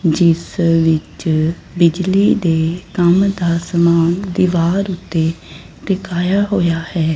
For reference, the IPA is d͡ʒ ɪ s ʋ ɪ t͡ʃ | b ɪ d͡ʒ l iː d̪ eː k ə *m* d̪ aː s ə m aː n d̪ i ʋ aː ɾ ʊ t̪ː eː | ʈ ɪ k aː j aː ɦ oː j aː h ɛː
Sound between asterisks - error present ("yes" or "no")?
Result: no